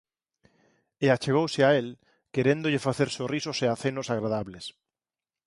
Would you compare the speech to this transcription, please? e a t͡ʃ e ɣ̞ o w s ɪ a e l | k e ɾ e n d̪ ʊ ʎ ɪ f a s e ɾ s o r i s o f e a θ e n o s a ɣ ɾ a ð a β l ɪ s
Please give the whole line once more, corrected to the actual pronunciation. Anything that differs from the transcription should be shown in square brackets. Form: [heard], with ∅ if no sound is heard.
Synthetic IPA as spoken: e a t͡ʃ e ɣ̞ o w s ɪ a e l | k e ɾ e n d̪ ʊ ʎ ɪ f a [θ] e ɾ s o r i s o [s] e a θ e n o s a ɣ ɾ a ð a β l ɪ s